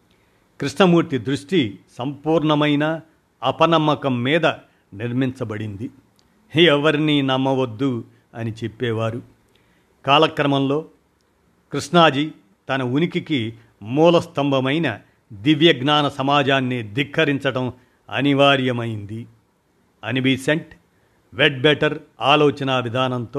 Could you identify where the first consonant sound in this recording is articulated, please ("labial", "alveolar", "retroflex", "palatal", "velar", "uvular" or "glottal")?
velar